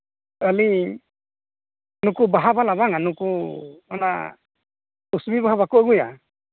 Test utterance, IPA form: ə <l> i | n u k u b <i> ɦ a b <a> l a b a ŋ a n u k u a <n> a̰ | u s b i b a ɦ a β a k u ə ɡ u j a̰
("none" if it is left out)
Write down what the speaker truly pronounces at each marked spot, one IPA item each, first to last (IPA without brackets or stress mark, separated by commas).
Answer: l, a, a, n